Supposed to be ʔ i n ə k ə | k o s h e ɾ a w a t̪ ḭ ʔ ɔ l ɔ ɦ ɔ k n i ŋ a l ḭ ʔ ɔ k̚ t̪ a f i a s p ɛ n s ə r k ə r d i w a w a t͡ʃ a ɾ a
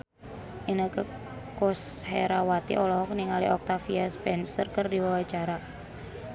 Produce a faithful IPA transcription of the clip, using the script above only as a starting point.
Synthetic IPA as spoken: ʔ i n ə k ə | k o s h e ɾ a w a t̪ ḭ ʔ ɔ l ɔ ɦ ɔ k n i ŋ a l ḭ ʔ ɔ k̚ t̪ a f i a s p ɛ n s ə r k ə r d i w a w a t͡ʃ a ɾ a